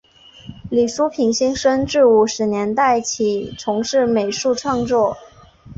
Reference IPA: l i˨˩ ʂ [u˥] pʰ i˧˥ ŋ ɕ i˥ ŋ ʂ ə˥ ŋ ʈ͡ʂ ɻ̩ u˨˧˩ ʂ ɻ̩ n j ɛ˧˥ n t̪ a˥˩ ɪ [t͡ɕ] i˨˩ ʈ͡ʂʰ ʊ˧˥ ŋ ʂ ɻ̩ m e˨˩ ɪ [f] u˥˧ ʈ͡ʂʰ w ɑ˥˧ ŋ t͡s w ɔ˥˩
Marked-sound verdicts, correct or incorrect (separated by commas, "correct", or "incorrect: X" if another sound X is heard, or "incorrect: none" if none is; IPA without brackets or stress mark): correct, incorrect: t͡ɕʰ, incorrect: ʂ